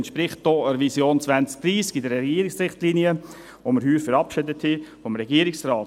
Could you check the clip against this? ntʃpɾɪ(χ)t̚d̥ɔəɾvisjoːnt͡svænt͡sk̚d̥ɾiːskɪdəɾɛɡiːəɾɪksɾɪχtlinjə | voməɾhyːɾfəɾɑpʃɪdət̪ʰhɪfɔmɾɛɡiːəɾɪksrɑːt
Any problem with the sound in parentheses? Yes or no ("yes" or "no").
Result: no